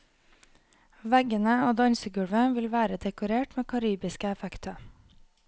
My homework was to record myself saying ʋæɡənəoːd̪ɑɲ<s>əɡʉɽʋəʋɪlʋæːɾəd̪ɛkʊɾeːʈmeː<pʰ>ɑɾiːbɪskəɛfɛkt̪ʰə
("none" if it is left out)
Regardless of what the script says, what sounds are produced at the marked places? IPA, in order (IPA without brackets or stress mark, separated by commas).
s, kʰ